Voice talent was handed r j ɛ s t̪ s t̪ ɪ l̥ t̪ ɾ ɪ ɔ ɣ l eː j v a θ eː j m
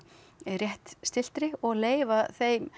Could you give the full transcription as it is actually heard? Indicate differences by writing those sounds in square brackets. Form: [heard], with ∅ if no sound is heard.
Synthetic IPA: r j ɛ [h] t̪ s t̪ ɪ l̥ t̪ ɾ ɪ ɔ ɣ l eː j v a θ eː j m